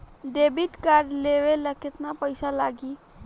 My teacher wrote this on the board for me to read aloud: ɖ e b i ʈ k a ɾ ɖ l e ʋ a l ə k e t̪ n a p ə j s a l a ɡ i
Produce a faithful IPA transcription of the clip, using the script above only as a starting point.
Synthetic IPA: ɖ e b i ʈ k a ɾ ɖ l e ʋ e l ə k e t̪ n a p ə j s a l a ɡ i